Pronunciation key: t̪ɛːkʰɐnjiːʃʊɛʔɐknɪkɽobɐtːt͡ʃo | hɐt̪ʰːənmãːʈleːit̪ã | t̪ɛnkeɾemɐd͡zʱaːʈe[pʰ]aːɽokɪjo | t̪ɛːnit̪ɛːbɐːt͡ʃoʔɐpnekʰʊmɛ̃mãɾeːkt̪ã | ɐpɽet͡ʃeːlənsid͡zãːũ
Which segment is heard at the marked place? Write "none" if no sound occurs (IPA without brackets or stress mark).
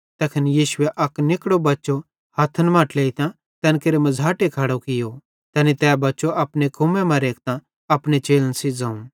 kʰ